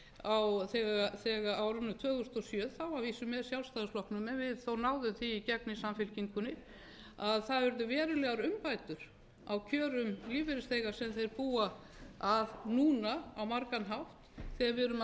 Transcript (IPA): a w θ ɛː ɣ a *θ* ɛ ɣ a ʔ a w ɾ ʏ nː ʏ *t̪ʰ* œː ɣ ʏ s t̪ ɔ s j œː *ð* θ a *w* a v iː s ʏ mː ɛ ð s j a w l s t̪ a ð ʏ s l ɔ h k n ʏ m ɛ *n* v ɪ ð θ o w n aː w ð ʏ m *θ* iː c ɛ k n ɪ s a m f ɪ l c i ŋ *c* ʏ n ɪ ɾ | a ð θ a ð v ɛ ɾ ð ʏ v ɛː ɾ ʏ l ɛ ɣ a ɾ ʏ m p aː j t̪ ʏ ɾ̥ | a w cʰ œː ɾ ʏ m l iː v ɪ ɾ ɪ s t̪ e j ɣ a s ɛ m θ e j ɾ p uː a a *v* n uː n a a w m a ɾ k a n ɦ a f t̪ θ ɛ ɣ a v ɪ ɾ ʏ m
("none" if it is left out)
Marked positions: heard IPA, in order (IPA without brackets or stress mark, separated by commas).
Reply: θ, t̪ʰ, ð, w, n, θ, k, ð